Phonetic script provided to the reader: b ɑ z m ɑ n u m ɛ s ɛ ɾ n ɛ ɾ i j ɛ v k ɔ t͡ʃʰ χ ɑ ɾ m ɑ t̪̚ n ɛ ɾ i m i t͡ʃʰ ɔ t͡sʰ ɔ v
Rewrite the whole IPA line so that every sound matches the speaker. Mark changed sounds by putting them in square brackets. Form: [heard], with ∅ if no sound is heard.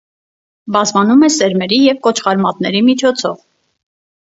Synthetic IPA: b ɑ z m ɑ n u m ɛ s ɛ ɾ [m] ɛ ɾ i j ɛ v k ɔ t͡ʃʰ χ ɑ ɾ m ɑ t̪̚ n ɛ ɾ i m i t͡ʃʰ ɔ t͡sʰ ɔ v